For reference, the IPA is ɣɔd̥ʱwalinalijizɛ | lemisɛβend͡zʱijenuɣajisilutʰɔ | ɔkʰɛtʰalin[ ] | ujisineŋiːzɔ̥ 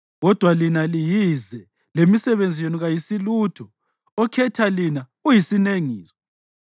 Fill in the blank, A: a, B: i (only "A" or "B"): A